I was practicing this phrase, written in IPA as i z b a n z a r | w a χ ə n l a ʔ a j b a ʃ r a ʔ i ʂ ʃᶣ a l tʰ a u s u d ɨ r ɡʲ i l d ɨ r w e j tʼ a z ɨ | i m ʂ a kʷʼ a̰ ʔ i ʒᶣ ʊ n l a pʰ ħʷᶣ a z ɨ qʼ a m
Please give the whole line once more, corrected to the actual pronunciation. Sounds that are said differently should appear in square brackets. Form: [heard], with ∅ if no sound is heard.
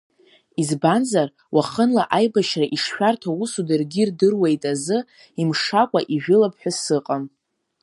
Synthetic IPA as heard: i z b a n z a r | w a χ ə n l a ʔ a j b a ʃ r a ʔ i ʂ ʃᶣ a [r] tʰ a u s u d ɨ r ɡʲ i [r] d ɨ r w e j tʼ a z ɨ | i m ʂ a kʷʼ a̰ ʔ i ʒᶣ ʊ [∅] l a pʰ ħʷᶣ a [s] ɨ qʼ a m